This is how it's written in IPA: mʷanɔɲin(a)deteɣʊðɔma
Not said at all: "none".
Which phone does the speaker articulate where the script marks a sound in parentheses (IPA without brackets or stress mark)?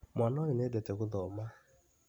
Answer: e